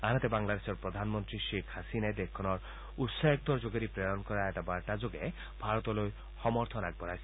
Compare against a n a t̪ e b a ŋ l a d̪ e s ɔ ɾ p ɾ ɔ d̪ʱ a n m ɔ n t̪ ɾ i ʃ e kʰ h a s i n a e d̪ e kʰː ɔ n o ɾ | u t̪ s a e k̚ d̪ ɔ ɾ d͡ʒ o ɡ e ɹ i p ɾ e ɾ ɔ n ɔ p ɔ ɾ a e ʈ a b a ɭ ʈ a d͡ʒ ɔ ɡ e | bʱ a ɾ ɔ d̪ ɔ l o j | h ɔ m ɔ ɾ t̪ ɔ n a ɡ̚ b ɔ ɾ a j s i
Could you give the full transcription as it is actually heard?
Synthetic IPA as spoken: a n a t̪ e b a ŋ l a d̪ e s ɔ ɾ p ɾ ɔ d̪ʱ a n m ɔ n t̪ ɾ i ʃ e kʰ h a s i n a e d̪ e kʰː ɔ n ɔ ɾ | u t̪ s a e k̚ d̪ ɔ ɾ d͡ʒ o ɡ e ɾ i p ɾ e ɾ ɔ n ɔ k ɔ ɾ a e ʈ a b a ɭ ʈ a d͡ʒ o ɡ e | bʱ a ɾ ɔ t̪ ɔ l o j | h ɔ m ɔ ɾ t̪ʰ ɔ n a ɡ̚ b ɔ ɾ a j s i